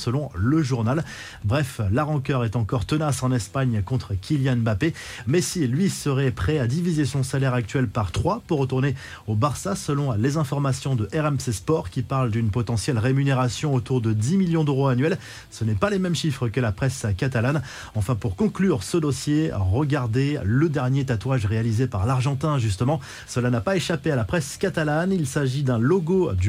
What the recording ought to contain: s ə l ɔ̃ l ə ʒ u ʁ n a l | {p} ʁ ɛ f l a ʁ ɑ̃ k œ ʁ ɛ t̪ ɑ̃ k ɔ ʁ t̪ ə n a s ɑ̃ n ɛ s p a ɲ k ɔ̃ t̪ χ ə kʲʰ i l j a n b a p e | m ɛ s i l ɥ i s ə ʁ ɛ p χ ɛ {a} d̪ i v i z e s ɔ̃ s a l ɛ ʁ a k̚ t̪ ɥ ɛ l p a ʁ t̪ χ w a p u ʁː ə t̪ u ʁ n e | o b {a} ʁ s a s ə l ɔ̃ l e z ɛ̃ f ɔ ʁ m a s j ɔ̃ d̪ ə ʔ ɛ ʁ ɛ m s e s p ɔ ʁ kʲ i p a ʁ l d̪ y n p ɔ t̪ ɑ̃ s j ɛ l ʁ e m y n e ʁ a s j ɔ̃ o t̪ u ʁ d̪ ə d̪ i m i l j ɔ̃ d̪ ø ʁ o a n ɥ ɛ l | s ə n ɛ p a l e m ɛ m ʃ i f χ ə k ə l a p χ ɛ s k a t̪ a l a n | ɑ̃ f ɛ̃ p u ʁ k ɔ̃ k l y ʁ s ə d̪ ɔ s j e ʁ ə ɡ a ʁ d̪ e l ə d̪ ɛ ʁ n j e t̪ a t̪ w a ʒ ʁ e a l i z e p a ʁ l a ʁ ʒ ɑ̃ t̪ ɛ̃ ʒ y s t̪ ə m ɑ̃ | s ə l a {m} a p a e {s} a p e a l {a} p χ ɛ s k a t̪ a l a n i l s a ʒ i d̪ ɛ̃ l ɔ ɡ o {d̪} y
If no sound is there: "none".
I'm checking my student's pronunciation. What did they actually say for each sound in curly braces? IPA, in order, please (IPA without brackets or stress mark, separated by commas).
b, a, a, n, ʃ, a, d̪